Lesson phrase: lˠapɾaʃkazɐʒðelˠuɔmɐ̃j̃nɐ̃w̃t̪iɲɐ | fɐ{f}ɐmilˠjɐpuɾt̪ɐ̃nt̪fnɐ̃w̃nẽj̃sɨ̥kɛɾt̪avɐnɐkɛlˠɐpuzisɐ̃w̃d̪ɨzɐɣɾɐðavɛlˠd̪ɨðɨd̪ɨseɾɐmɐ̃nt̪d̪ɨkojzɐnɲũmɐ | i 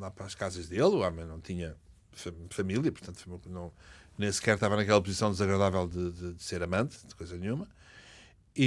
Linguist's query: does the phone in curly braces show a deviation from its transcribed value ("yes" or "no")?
no